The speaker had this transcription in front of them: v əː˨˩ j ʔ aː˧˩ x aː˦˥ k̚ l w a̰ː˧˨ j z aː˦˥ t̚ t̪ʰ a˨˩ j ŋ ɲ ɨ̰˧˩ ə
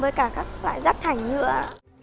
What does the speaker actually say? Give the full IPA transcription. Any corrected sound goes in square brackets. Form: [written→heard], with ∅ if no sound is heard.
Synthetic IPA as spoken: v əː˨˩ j [ʔ→k] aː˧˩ [x→k] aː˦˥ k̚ l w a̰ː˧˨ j z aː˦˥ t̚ t̪ʰ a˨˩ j ŋ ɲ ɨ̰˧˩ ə

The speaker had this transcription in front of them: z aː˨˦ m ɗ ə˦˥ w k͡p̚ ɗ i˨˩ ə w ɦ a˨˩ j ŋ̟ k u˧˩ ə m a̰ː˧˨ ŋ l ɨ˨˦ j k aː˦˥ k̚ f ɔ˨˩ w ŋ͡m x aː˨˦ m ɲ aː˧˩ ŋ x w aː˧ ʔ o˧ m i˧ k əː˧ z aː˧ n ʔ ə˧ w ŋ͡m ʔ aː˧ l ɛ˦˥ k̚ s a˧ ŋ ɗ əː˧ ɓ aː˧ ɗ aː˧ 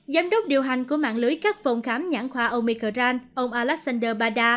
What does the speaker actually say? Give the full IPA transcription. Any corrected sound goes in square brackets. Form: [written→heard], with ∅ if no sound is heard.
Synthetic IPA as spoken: z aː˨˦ m ɗ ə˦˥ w k͡p̚ ɗ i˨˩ ə w ɦ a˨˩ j ŋ̟ k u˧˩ ə m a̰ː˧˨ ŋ l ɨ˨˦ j k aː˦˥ k̚ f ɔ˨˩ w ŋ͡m x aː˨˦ m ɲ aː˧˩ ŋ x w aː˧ ʔ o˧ m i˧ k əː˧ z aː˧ n ʔ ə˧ w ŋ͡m ʔ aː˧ l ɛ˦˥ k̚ s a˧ [ŋ→n] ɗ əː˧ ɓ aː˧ ɗ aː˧

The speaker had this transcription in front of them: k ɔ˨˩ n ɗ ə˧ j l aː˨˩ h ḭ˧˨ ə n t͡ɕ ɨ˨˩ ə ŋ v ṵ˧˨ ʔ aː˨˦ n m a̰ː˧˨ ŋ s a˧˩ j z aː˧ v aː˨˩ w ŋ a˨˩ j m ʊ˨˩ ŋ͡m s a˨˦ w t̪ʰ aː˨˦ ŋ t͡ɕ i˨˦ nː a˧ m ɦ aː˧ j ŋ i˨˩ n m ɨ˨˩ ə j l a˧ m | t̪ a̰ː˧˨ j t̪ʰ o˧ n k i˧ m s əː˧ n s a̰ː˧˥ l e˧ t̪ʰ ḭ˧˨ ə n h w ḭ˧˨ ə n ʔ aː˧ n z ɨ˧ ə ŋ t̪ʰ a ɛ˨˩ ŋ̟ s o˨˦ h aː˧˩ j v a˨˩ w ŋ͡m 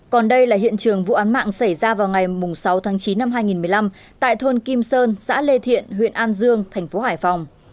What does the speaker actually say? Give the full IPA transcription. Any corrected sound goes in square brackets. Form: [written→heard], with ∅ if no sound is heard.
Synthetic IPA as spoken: k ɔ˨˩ n ɗ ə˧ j l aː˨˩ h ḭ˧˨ ə n t͡ɕ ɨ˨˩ ə ŋ v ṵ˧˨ ʔ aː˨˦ n m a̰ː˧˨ ŋ s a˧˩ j z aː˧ v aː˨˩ w ŋ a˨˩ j m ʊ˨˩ ŋ͡m s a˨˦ w t̪ʰ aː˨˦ ŋ t͡ɕ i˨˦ nː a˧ m ɦ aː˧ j ŋ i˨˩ n m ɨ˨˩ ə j l a˧ m | t̪ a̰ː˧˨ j t̪ʰ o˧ n k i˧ m s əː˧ n s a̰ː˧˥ l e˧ t̪ʰ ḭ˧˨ ə n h w ḭ˧˨ ə n ʔ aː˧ n z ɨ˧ ə ŋ t̪ʰ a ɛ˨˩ ŋ̟ [s→f] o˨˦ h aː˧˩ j [v→f] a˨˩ w ŋ͡m

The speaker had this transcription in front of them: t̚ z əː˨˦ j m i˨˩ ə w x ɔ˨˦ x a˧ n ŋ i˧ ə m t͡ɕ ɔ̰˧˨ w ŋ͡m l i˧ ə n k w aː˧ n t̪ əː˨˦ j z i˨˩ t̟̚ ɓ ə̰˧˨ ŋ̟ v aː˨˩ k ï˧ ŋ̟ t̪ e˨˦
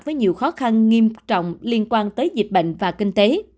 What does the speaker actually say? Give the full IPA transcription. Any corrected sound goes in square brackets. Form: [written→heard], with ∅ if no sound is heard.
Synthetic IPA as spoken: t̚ [z→v] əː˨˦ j [m→ɲ] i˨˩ ə w x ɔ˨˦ x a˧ n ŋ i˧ ə m t͡ɕ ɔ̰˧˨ w ŋ͡m l i˧ ə n k w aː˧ n t̪ əː˨˦ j z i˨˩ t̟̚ ɓ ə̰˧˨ ŋ̟ v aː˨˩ k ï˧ ŋ̟ t̪ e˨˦

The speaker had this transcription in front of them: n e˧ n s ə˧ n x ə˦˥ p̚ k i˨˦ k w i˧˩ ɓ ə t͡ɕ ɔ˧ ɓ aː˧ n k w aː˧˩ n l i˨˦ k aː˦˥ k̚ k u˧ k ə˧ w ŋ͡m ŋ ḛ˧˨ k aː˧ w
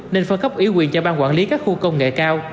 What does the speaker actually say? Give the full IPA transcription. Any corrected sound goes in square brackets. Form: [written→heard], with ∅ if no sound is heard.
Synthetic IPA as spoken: n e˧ n [s→f] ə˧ n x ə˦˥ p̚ [k→ʔ] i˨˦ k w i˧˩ [ɓ→∅] ə t͡ɕ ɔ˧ ɓ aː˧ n k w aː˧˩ n l i˨˦ k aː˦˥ k̚ [k→x] u˧ k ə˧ w ŋ͡m ŋ ḛ˧˨ k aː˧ w

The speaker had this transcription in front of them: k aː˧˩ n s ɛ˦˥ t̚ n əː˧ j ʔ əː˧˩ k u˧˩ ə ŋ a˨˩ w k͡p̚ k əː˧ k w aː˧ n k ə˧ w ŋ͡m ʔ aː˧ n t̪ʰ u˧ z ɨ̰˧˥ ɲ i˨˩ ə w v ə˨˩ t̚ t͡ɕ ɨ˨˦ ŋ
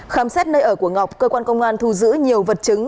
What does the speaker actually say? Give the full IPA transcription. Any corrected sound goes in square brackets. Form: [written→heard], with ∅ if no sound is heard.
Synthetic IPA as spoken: [k→x] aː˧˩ [n→m] s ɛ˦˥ t̚ n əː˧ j ʔ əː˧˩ k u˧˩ ə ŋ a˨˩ w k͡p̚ k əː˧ k w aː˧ n k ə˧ w ŋ͡m ʔ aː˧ n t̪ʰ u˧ z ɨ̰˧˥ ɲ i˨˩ ə w v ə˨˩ t̚ t͡ɕ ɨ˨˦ ŋ

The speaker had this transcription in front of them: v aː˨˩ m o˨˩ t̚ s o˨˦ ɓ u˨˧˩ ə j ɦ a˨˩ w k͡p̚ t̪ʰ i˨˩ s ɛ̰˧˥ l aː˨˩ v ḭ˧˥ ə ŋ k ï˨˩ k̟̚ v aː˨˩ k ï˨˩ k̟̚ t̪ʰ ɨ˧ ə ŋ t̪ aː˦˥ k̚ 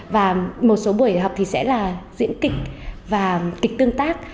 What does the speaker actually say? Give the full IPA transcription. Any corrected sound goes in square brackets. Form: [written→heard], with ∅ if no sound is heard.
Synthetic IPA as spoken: v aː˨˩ m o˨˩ t̚ s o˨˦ ɓ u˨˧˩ ə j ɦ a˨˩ w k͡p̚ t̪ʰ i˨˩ s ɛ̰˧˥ l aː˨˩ [v→z] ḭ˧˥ ə [ŋ→n] k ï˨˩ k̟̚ v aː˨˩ k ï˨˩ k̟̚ [t̪ʰ→t̪] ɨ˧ ə ŋ t̪ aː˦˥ k̚

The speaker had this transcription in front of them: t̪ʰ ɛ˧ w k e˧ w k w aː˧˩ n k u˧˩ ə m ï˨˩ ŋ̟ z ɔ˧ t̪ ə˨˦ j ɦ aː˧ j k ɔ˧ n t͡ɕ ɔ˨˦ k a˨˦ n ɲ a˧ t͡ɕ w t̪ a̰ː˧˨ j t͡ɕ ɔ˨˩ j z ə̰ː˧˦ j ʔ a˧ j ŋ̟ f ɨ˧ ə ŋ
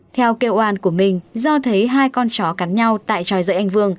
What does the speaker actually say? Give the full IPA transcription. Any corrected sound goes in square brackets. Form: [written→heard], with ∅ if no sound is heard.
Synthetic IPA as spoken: t̪ʰ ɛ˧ w k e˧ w [k→ʔ] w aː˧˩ n k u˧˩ ə m ï˨˩ ŋ̟ z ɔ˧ [t̪→t̪ʰ] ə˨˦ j ɦ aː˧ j k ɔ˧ n t͡ɕ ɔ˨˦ k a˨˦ n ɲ a˧ [t͡ɕ→∅] w t̪ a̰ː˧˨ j t͡ɕ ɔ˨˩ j z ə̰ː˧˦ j ʔ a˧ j ŋ̟ [f→v] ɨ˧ ə ŋ

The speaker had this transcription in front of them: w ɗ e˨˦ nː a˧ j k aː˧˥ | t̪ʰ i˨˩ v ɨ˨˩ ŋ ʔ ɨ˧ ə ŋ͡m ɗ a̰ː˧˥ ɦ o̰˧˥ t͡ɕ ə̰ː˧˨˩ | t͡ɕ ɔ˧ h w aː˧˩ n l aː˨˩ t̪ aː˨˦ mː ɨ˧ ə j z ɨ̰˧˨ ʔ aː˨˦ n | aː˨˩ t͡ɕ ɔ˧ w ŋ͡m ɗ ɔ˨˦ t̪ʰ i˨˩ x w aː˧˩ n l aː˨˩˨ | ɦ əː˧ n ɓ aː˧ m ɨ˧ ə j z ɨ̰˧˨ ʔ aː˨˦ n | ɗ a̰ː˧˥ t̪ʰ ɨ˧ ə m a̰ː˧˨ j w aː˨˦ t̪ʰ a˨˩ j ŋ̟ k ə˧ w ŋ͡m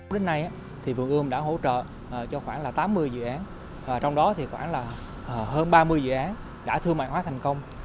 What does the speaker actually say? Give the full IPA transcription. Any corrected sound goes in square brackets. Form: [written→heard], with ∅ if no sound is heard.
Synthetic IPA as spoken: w ɗ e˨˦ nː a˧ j [k→ʔ] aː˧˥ | t̪ʰ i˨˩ v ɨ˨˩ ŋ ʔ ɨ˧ ə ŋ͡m ɗ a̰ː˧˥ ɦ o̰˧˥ t͡ɕ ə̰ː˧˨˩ | t͡ɕ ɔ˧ [h→x] w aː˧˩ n l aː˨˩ t̪ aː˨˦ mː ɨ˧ ə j z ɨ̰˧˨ ʔ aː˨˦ n | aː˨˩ t͡ɕ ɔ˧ w ŋ͡m ɗ ɔ˨˦ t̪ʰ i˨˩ x w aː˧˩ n l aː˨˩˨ | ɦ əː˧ n ɓ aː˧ m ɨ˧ ə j z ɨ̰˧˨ ʔ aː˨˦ n | ɗ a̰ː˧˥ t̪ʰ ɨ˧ ə m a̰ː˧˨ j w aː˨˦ t̪ʰ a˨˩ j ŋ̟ k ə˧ w ŋ͡m

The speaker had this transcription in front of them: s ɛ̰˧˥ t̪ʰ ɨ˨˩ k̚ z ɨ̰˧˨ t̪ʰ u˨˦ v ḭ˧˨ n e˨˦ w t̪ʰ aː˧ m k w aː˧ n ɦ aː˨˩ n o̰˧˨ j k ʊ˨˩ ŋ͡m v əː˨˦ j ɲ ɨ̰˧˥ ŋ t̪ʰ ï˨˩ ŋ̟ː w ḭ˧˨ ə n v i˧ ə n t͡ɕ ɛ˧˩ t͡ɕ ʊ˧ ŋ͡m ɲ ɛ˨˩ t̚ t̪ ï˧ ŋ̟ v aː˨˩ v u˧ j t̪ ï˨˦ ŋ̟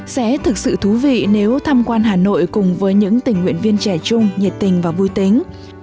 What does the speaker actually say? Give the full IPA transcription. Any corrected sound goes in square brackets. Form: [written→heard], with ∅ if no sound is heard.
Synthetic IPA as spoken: s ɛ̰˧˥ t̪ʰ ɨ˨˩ k̚ [z→s] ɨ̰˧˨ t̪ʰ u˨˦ v ḭ˧˨ n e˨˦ w t̪ʰ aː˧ m k w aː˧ n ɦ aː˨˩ n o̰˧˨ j k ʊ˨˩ ŋ͡m v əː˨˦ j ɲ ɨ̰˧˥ ŋ [t̪ʰ→t̪] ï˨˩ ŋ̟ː w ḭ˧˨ ə n v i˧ ə n t͡ɕ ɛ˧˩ t͡ɕ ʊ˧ ŋ͡m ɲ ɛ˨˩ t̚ t̪ [ï˧→ï˨˩] ŋ̟ v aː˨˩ v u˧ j t̪ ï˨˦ ŋ̟

